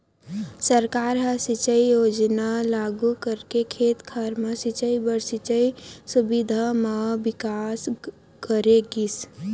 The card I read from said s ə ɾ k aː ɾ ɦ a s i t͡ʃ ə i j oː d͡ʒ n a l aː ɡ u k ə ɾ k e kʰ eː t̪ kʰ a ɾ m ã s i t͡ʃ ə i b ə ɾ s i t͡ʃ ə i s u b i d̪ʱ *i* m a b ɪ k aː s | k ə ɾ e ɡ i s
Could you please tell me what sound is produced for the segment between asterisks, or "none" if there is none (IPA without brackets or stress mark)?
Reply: a